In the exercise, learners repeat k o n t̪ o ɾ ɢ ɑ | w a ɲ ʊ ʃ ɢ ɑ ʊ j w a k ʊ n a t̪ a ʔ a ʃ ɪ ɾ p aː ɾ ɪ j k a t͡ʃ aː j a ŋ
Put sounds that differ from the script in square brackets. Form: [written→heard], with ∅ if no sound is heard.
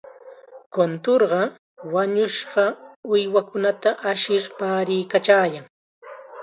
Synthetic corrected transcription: k o n t̪ o ɾ ɢ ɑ | w a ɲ ʊ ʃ ɢ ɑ ʊ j w a k ʊ n a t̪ a ʔ a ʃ ɪ ɾ p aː ɾ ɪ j k a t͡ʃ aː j a ŋ